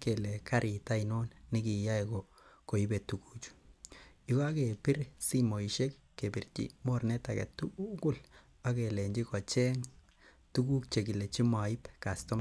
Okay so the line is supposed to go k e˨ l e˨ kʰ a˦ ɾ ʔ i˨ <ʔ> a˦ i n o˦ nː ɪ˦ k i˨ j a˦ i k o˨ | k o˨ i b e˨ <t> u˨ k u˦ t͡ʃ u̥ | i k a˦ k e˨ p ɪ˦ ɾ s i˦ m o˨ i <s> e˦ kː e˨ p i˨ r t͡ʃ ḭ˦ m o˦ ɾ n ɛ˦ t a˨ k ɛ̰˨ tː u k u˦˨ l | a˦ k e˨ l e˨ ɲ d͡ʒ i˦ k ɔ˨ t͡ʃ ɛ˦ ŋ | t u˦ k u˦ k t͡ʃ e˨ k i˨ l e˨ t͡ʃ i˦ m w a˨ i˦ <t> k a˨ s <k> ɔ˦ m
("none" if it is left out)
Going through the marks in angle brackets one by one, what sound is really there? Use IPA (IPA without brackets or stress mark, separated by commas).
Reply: t, t, ʃ, p, t